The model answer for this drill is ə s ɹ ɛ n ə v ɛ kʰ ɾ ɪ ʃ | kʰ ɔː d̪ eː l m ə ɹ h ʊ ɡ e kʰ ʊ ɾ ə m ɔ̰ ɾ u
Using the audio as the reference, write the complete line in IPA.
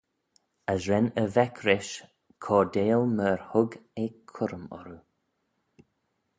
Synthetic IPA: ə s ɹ ɛ n ə v ɛ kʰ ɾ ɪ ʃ | kʰ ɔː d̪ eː l m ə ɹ h ʊ ɡ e kʰ ʊ ɾ ə m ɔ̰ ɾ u